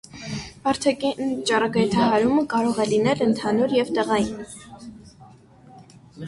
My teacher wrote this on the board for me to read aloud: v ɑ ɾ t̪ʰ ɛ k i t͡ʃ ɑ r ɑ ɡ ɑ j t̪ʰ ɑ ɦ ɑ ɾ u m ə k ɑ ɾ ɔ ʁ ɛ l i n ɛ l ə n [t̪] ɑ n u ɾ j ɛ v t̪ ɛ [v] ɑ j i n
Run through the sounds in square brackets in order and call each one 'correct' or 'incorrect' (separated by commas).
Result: incorrect, incorrect